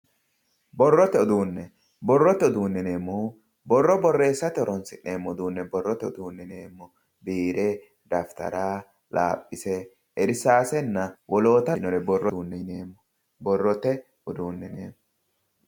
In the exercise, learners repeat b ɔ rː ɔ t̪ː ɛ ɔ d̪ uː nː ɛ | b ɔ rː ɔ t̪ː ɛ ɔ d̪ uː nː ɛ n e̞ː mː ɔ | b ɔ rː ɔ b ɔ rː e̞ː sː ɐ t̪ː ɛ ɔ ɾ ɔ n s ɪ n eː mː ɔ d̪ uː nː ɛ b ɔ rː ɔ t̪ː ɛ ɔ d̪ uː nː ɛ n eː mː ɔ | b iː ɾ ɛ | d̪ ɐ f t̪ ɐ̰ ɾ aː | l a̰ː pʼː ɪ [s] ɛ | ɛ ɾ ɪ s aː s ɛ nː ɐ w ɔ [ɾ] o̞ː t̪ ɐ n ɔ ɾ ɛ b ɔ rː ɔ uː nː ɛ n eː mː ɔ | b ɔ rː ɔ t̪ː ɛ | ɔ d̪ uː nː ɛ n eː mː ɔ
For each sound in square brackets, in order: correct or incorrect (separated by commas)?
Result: correct, incorrect